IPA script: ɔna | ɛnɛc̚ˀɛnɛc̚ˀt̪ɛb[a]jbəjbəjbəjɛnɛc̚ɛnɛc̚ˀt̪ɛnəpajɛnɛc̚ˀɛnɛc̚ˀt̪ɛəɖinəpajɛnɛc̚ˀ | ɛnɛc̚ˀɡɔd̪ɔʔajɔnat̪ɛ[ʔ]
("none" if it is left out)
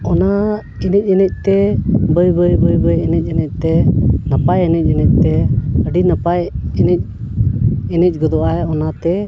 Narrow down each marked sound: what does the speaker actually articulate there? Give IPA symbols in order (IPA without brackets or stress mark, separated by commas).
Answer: ə, none